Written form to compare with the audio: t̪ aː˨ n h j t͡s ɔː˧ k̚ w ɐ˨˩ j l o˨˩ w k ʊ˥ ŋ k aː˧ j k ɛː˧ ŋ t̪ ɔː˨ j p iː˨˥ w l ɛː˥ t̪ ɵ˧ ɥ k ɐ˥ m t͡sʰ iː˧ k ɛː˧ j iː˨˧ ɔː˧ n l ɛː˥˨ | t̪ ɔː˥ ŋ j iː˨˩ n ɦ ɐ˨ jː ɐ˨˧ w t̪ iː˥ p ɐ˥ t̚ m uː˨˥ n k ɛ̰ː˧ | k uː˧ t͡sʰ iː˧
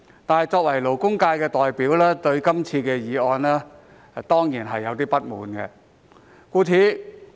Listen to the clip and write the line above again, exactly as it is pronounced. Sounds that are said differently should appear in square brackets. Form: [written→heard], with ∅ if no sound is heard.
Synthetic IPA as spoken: t̪ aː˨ n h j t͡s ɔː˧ k̚ w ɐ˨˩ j l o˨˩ w k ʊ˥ ŋ k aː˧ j k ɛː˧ [ŋ→∅] t̪ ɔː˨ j p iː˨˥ w l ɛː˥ t̪ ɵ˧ ɥ k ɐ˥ m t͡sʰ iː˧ k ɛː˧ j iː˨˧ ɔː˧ n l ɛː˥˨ | t̪ ɔː˥ ŋ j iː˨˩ n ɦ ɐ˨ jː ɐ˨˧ w t̪ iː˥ p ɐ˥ t̚ m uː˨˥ n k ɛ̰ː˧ | k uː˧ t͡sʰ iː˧